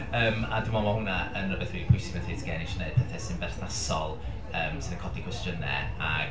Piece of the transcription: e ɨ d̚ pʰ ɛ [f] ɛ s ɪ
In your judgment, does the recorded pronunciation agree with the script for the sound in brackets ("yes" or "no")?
no